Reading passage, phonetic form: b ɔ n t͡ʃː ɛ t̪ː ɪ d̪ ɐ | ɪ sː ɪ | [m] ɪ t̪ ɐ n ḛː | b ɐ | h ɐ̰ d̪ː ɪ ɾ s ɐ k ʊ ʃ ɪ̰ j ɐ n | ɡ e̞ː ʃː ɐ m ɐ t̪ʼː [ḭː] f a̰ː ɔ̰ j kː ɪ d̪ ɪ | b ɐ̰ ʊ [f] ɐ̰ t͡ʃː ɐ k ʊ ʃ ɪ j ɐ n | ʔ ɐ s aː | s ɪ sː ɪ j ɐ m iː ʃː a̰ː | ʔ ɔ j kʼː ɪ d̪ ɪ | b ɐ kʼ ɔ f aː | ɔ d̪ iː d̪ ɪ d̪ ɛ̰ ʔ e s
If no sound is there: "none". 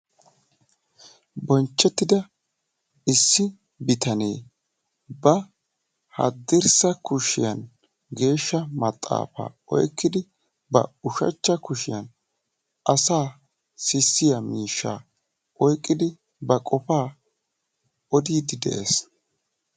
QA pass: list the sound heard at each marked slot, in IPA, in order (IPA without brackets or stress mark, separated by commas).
b, a̰ː, ʃ